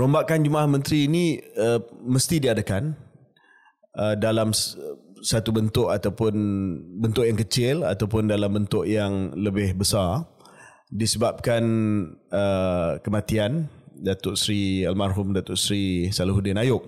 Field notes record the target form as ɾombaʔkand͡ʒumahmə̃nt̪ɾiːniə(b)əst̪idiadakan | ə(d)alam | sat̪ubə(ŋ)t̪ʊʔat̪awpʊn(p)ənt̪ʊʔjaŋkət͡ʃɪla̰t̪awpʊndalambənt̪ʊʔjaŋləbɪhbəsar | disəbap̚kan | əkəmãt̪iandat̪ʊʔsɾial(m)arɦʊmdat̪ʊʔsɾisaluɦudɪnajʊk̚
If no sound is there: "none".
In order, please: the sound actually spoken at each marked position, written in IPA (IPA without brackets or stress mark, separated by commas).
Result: m, d, n, b, m